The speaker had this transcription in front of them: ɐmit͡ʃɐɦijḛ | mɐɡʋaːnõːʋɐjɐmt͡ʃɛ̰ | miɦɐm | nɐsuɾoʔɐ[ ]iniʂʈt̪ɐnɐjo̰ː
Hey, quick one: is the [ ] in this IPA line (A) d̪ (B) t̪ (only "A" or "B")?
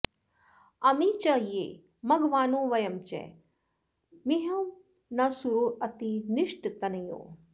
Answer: B